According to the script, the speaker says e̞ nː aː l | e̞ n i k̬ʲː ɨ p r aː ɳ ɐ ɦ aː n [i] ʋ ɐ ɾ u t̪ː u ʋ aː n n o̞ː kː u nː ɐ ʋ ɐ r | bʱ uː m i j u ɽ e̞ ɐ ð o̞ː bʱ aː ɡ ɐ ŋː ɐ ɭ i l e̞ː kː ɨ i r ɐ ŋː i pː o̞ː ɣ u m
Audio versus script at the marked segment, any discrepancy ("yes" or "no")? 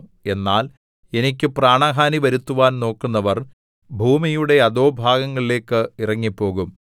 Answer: no